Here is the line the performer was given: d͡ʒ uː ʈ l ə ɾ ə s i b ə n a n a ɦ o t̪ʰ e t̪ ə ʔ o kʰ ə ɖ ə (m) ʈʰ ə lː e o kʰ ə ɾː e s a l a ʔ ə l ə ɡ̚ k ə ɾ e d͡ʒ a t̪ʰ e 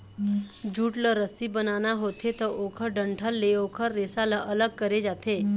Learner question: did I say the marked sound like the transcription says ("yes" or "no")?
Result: no